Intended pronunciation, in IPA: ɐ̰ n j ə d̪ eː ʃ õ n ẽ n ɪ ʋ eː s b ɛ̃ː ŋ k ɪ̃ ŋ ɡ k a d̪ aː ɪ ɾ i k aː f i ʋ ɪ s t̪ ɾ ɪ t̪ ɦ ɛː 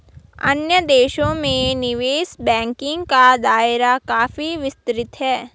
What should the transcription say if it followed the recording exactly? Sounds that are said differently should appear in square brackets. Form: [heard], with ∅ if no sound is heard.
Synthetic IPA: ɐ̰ n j ə d̪ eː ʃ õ [m] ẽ n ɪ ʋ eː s b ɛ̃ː ŋ k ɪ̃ ŋ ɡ k a d̪ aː ɪ ɾ [a] k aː f i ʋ ɪ s t̪ ɾ ɪ t̪ ɦ ɛː

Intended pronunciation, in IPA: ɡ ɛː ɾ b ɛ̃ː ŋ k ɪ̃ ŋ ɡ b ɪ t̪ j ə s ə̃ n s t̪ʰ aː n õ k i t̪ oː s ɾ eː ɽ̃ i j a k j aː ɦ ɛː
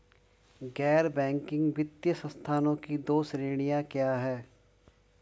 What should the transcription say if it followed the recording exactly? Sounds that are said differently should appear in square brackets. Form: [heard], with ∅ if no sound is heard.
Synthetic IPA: ɡ ɛː ɾ b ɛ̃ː ŋ k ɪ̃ ŋ ɡ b ɪ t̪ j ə s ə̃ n s t̪ʰ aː n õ k i [d̪] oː s ɾ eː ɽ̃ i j a k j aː ɦ ɛː

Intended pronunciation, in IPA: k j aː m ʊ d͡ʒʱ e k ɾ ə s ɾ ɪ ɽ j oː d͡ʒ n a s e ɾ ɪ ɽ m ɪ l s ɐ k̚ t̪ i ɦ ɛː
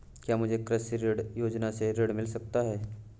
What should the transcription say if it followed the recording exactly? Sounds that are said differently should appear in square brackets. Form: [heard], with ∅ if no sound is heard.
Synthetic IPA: k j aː m ʊ d͡ʒʱ e k ɾ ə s ɾ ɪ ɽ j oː d͡ʒ n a s e ɾ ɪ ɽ m ɪ l s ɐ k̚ t̪ [a] ɦ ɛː

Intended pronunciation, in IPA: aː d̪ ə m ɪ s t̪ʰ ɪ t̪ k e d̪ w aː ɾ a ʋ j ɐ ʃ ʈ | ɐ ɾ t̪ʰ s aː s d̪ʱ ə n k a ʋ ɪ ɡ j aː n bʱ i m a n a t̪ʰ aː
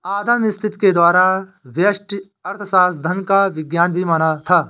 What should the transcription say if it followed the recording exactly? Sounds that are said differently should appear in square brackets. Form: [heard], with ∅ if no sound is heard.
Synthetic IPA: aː d̪ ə m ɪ s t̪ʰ ɪ t̪ k e d̪ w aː ɾ a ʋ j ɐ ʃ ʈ | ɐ ɾ t̪ʰ s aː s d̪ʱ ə n k a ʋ ɪ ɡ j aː n bʱ i m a n a t̪ʰ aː

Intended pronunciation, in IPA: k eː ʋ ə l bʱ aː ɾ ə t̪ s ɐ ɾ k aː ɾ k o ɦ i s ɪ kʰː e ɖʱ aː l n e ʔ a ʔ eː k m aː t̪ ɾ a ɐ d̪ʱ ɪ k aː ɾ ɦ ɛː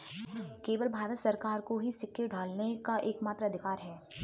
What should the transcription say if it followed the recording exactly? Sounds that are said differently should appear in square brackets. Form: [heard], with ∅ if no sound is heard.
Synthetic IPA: k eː ʋ ə l bʱ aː ɾ ə t̪ s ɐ ɾ k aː ɾ k o ɦ i s ɪ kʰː e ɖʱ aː l n e [k] a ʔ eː k m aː t̪ ɾ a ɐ d̪ʱ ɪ k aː ɾ ɦ ɛː

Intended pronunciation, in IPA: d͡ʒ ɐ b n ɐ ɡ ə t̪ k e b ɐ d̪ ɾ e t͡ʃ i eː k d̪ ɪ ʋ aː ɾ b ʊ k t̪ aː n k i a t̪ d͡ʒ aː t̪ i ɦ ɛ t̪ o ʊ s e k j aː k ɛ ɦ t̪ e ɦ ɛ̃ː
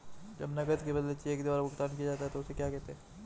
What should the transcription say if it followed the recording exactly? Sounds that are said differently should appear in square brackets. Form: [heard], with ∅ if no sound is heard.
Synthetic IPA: d͡ʒ ɐ b n ɐ ɡ ə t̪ k e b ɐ d̪ [l] e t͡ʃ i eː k d̪ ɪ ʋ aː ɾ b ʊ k t̪ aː n k i a [∅] d͡ʒ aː t̪ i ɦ ɛ t̪ o ʊ s e k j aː k ɛ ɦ t̪ e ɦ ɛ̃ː

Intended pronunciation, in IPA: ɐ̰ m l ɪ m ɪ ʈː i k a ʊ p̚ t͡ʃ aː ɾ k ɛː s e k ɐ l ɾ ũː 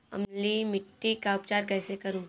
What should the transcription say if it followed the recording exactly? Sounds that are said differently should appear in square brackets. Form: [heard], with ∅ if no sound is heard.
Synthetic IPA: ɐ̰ m l [i] m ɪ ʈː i k a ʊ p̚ t͡ʃ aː ɾ k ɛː s e k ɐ [∅] ɾ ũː

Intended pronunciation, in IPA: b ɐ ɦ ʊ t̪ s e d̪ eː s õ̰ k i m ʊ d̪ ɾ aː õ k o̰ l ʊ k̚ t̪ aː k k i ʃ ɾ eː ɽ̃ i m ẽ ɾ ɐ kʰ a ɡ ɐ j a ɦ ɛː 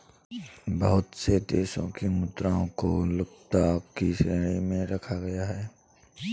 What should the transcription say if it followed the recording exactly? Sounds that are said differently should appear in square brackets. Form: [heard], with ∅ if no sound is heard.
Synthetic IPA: b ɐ ɦ ʊ t̪ s e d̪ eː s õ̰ k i m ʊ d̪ ɾ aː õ k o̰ l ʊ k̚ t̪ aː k k i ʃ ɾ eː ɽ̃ i m ẽ ɾ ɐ kʰ a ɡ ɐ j a ɦ ɛː

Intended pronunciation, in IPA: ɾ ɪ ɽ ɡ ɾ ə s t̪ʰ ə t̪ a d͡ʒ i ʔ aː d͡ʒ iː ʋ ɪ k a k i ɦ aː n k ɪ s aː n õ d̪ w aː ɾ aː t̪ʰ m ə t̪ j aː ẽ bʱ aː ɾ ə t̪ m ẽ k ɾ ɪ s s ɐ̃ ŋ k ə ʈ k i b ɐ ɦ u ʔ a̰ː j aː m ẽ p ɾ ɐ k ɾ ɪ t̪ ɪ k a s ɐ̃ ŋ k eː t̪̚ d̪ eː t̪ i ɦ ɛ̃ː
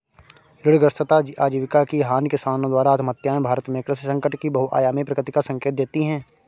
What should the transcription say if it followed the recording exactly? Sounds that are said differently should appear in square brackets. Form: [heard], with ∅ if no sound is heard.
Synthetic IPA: ɾ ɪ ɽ ɡ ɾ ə s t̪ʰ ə t̪ a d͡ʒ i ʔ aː d͡ʒ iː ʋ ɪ k a k i ɦ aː n k ɪ s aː n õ d̪ w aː ɾ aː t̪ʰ m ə t̪ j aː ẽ bʱ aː ɾ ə t̪ m ẽ k ɾ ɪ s s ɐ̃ ŋ k ə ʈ k i b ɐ ɦ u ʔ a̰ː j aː m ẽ p ɾ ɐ k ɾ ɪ t̪ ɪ k a s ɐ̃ ŋ k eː t̪̚ d̪ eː t̪ i ɦ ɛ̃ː

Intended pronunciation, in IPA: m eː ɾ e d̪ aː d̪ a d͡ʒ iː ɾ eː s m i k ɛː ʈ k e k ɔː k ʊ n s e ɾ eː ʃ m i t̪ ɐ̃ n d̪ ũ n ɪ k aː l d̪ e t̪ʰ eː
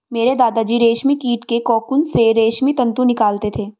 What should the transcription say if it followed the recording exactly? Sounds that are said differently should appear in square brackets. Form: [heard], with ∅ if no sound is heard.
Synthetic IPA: m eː ɾ e d̪ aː d̪ a d͡ʒ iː ɾ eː [ʃ] m i k [iː] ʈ k e k ɔː k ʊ n s e ɾ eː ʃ m i t̪ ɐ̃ n [t̪] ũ n ɪ k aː l [t̪] e t̪ʰ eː

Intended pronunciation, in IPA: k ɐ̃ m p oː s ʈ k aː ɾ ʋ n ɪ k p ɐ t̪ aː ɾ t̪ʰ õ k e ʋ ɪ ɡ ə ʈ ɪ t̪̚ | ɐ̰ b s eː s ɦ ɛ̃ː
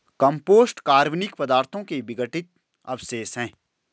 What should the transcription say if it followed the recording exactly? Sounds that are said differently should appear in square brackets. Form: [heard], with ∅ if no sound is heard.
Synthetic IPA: k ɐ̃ m p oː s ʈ k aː ɾ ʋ n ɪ k p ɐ [d̪] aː ɾ t̪ʰ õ k e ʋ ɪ ɡ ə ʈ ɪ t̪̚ | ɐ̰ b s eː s ɦ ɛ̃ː

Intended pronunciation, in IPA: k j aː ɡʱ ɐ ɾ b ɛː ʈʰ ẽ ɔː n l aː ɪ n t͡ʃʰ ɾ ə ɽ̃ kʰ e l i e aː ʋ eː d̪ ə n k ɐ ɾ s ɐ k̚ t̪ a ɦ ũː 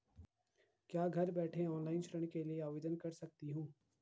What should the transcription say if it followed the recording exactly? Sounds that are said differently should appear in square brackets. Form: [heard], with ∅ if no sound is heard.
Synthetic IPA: k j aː ɡʱ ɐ ɾ b ɛː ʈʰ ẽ ɔː n l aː ɪ n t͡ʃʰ ɾ ə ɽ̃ [k] e l i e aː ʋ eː d̪ ə n k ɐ ɾ s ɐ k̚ t̪ [i] ɦ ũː

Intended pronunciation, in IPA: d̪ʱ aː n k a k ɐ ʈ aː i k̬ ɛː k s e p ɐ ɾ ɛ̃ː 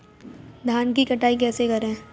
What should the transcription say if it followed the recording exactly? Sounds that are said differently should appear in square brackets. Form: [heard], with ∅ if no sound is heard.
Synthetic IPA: d̪ʱ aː n k [i] k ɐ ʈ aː i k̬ ɛː [∅] s e [k] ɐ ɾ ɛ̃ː

